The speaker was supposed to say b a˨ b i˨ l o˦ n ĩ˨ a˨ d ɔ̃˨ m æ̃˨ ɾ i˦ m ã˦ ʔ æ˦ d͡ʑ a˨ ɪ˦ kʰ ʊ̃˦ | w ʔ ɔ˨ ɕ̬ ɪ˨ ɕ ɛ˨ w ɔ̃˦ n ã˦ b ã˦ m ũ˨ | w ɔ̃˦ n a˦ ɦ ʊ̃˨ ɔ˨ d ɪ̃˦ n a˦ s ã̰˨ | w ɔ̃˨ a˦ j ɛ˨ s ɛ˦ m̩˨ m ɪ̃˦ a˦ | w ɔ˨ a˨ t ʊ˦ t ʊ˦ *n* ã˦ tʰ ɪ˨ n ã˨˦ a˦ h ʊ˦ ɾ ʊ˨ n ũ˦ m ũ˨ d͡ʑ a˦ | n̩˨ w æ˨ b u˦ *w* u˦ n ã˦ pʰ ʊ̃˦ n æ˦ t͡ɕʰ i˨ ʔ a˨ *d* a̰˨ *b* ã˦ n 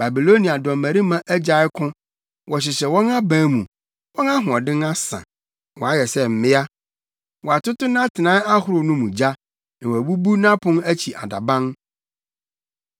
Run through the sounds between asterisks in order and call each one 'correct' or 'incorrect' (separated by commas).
correct, incorrect, correct, correct